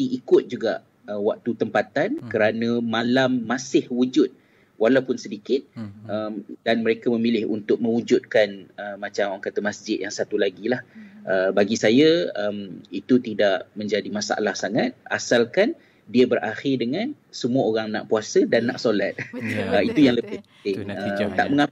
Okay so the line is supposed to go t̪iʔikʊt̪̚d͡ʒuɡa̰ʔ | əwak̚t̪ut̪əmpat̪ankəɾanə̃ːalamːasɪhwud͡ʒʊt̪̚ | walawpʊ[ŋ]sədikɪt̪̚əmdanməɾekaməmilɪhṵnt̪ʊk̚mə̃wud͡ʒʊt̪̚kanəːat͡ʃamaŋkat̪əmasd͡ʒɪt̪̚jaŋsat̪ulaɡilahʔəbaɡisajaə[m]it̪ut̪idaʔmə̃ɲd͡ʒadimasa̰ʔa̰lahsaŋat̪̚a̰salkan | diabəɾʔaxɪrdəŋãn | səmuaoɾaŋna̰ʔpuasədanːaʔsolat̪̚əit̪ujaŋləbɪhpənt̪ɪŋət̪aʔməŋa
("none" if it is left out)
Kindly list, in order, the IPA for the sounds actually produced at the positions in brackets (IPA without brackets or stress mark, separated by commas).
n, m